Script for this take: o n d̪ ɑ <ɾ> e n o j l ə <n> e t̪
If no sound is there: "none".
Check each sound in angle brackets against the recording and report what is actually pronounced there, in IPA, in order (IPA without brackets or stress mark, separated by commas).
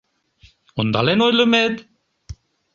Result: l, m